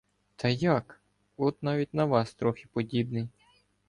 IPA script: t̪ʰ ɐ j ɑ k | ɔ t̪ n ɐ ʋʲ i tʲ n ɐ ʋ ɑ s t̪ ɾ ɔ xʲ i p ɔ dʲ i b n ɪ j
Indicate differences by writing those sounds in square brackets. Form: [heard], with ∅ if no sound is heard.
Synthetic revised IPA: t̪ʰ ɐ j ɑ k | ɔ t̪ n [ɑ] ʋʲ i tʲ n ɐ ʋ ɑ s t̪ ɾ ɔ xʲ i p ɔ dʲ i b n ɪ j